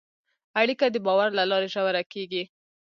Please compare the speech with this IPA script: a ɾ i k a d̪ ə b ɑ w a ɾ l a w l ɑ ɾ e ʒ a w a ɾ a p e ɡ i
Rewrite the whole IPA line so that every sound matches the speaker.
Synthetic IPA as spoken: a ɽ i k a d̪ ə b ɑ w a ɾ l a l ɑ ɾ e ʒ a w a ɾ a k e ɡ i